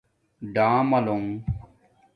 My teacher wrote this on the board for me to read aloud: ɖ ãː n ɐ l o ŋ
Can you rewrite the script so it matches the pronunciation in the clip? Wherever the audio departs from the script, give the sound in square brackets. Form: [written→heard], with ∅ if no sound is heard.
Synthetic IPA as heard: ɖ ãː [n→m] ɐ l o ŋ